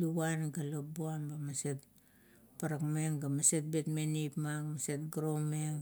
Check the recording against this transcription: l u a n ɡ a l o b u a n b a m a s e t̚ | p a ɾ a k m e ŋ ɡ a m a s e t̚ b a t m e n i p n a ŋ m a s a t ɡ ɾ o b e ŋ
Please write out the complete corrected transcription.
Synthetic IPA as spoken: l u a n ɡ a l o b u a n b a m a s e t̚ | p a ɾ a k m e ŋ ɡ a m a s e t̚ b e t m e n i p m a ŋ m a s e t ɡ ɾ o m e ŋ